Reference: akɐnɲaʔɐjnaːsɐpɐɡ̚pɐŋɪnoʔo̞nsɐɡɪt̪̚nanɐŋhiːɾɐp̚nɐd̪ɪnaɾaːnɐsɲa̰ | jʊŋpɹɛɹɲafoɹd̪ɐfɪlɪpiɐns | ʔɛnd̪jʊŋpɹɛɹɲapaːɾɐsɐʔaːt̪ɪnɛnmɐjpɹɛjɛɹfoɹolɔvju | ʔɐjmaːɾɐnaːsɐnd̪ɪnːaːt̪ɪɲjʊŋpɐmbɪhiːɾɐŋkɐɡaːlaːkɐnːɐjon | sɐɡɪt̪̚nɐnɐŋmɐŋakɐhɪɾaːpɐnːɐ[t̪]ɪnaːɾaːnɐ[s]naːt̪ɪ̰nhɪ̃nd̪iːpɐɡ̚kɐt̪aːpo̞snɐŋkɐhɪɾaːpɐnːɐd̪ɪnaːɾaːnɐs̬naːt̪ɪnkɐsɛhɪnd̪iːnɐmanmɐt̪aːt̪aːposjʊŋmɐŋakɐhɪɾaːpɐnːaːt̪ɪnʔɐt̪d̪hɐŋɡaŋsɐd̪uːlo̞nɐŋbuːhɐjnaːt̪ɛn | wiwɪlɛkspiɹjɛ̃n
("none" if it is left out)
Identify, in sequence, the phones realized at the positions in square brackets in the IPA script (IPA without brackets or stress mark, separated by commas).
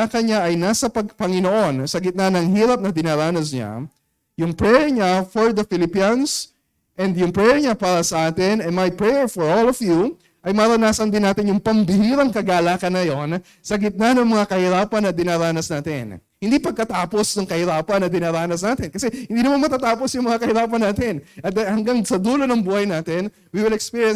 d̪, s